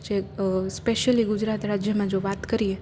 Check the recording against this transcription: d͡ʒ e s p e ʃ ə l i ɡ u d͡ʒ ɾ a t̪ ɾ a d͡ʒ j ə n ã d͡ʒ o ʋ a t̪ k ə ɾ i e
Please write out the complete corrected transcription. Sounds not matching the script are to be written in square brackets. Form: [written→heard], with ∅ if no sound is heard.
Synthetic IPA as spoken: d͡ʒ e s p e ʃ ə l i ɡ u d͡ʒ ɾ a t̪ ɾ a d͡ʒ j ə [n→m] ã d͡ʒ o ʋ a t̪ k ə ɾ i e

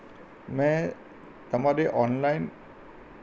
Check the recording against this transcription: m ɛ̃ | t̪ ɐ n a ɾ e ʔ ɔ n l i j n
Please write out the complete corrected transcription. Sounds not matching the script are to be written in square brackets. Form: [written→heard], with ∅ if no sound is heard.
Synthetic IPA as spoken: m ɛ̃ | t̪ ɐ [n→m] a ɾ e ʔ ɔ n l [i→a] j n

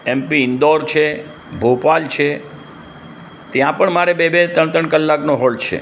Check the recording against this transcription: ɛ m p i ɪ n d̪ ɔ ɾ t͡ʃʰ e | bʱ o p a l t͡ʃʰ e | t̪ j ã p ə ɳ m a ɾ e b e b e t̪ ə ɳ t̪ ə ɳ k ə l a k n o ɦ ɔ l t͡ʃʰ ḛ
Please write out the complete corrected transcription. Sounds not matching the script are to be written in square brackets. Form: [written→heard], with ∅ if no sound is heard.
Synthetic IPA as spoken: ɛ m p i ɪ n d̪ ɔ ɾ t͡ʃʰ e | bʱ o p a l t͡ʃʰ e | t̪ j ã p ə ɳ m a ɾ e b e b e t̪ ə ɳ t̪ ə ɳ k ə [l→lː] a k n o ɦ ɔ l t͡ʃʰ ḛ

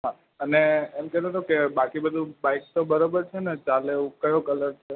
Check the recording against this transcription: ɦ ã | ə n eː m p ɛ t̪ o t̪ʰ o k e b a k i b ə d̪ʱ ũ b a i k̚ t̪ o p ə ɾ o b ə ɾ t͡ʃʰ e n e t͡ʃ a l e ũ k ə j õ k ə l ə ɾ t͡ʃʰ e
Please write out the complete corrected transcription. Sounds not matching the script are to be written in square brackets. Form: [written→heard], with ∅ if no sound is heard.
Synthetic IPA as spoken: ɦ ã | ə n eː m [p→k] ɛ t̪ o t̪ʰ o k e b a k i b ə d̪ʱ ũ b a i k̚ t̪ o [p→b] ə ɾ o b ə ɾ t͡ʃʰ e n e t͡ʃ a l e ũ k ə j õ k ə l ə ɾ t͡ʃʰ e

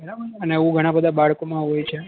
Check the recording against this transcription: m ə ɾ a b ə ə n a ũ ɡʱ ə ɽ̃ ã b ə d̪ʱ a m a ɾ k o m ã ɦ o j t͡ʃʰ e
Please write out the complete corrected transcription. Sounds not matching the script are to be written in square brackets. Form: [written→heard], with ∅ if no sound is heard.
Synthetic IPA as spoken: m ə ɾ a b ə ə n [a→e] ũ ɡʱ ə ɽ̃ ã b ə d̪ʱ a [m→b] a [ɾ→ɭ] k o m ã ɦ o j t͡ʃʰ e

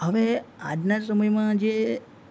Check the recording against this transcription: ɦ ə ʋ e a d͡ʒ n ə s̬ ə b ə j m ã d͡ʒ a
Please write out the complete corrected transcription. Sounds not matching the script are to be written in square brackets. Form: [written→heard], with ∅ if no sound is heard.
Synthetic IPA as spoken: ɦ ə ʋ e a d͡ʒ n [ə→a] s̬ ə [b→m] ə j m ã d͡ʒ [a→e]

